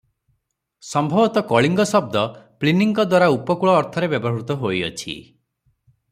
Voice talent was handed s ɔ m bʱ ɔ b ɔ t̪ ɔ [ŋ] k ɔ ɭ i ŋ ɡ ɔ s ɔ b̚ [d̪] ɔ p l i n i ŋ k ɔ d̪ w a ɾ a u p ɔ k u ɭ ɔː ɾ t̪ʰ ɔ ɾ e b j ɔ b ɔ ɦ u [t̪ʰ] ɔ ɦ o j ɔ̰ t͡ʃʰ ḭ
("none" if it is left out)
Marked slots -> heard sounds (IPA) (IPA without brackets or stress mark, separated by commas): none, d̪, t̪